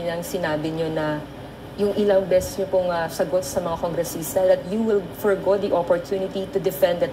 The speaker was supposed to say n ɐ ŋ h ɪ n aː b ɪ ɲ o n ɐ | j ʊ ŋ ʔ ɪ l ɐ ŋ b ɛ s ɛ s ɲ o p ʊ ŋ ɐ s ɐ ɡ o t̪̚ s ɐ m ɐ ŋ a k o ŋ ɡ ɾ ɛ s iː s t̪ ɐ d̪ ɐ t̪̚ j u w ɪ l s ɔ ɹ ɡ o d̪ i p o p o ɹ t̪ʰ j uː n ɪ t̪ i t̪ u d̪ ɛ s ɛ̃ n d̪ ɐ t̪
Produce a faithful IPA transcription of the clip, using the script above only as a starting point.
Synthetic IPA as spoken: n ɐ ŋ s ɪ n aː b ɪ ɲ o n ɐ | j ʊ ŋ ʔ ɪ l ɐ ŋ b ɛ s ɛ s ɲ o p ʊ ŋ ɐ s ɐ ɡ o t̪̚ s ɐ m ɐ ŋ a k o ŋ ɡ ɾ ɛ s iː s t̪ ɐ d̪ ɐ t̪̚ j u w ɪ l f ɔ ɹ ɡ o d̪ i ʔ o p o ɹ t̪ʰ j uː n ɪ t̪ i t̪ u d̪ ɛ f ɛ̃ n d̪ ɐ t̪